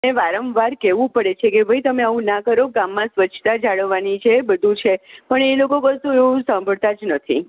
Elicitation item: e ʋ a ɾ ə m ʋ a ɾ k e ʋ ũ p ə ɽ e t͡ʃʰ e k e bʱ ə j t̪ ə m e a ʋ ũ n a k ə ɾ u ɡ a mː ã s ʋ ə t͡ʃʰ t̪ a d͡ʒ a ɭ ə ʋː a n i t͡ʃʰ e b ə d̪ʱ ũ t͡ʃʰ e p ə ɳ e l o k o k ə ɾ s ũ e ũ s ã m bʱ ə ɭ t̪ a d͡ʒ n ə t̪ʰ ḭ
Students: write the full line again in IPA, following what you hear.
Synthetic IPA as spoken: e ʋ a ɾ ə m ʋ a ɾ k e ʋ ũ p ə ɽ e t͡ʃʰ e k e bʱ ə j t̪ ə m e a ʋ ũ n a k ə ɾ o ɡ a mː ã s ʋ ə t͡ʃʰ t̪ a d͡ʒ a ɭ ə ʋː a n i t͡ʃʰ e b ə d̪ʱ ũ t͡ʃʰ e p ə ɳ e l o k o k ə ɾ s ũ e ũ s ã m bʱ ə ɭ t̪ a d͡ʒ n ə t̪ʰ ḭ